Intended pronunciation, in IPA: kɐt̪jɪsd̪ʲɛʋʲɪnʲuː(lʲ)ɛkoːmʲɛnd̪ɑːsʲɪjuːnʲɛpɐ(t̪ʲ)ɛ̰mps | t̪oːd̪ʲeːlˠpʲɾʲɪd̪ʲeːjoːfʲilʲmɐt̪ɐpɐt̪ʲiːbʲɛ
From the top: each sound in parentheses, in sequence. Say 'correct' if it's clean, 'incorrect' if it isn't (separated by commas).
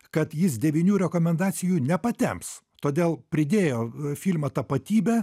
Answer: incorrect, correct